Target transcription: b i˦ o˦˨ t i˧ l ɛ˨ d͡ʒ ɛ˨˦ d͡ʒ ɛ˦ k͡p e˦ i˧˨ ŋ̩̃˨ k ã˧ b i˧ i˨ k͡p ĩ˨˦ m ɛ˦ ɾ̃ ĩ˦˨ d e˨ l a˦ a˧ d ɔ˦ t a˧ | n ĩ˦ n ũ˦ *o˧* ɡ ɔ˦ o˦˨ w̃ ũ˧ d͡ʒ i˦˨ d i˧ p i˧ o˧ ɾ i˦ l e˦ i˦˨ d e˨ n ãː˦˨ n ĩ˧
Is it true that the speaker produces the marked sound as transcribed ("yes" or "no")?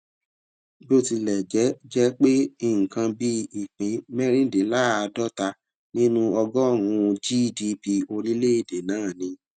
no